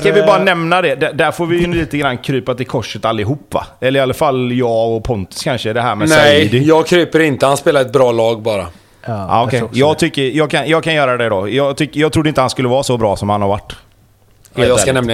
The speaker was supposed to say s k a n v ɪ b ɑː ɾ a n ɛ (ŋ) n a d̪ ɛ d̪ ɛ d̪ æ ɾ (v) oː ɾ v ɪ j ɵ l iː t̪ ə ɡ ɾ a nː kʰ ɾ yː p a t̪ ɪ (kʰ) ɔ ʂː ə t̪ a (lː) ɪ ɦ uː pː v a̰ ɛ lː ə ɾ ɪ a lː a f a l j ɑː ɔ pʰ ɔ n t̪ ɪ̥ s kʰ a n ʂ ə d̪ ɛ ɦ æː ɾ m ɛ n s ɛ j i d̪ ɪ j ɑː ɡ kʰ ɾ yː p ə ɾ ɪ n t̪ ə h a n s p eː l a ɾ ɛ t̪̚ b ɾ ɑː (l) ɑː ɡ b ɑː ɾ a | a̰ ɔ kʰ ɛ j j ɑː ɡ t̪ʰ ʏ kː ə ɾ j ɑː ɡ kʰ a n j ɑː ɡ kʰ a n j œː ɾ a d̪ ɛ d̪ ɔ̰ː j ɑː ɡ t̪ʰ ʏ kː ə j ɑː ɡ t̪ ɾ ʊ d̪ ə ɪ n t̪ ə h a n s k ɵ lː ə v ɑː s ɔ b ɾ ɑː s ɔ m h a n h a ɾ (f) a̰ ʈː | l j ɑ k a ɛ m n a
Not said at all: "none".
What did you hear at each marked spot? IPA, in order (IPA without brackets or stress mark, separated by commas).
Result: m, f, kʰ, lː, l, v